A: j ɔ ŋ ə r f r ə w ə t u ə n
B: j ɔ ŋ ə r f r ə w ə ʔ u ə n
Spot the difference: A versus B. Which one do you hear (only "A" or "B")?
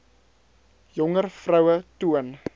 A